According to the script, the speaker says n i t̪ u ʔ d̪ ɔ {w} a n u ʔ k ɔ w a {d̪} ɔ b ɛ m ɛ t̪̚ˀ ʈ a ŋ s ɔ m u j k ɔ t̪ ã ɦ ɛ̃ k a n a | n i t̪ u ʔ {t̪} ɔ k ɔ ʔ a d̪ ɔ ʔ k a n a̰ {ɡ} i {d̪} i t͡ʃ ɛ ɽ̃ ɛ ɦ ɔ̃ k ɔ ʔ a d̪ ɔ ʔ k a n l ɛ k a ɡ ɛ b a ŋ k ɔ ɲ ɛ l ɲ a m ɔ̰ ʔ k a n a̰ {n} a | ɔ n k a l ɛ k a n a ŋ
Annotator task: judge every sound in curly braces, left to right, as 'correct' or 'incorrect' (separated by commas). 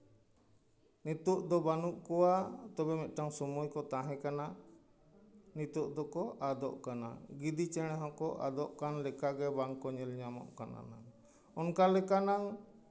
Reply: incorrect, incorrect, incorrect, correct, correct, correct